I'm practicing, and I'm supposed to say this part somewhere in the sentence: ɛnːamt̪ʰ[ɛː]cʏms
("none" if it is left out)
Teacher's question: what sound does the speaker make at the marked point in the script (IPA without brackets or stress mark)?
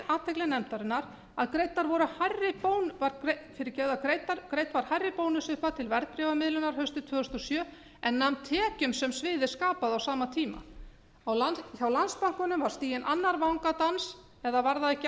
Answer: ɛː